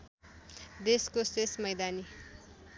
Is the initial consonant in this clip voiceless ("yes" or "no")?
no